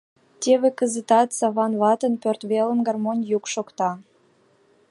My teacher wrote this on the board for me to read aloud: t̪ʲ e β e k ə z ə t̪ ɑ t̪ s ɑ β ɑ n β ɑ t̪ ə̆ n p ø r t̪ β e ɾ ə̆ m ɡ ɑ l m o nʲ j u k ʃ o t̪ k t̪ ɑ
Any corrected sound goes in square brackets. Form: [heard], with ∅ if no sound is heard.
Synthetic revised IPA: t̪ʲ e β e k ə z ə t̪ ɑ t̪ s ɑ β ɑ n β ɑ t̪ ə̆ n p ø r t̪ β e [l] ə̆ m ɡ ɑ [r] m o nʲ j u k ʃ o [∅] k t̪ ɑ